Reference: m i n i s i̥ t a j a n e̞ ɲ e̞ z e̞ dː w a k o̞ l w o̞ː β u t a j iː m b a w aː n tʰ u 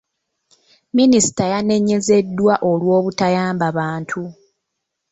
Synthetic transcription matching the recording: m i n i s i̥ t a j a n e̞ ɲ e̞ z e̞ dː w a ʔ o̞ l w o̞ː β u t a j aː m b a β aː n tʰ u

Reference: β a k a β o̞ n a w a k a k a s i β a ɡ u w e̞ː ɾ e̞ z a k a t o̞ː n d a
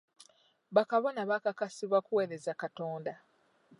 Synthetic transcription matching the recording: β a k a β o̞ n a β a k a k a s i β a k u w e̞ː ɾ e̞ z a k a t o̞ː n d a

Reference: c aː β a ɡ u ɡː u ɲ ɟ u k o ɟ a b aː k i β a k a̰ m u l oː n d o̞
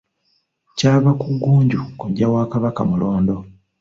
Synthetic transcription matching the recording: c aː β a k u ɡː uː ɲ ɟ u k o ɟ a w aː k a β a k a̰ m u l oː n d o̞

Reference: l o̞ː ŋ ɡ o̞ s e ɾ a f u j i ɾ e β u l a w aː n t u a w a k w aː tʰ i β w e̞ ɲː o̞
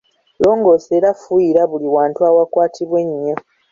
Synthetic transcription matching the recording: l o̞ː ŋ ɡ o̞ s e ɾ a f u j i ɾ a β u l i w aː n t u a w a k w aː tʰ i β w e̞ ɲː o̞

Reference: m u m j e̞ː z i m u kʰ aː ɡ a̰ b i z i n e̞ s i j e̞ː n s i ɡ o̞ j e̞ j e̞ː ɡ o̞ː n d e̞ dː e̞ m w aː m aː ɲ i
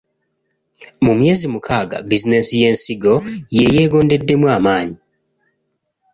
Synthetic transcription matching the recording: m u m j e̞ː z i m u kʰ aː ɡ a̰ b i z i n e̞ s i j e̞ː n s i ɡ o̞ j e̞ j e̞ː ɡ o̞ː n d e̞ dː e̞ m w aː m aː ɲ i

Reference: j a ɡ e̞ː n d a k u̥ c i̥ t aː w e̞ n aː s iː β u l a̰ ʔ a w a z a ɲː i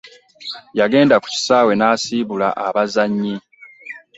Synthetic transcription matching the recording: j a ɡ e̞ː n d a k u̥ c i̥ s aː w e̞ n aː s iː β u l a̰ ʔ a β a z a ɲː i

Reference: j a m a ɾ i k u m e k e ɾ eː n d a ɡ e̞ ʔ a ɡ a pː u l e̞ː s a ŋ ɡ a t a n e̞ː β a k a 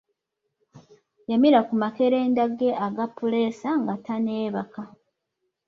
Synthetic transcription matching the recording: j a m i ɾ a k u m a k e ɾ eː n d a ɡ e̞ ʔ a ɡ a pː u l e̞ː s a ŋ ɡ a t a n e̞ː β a k a

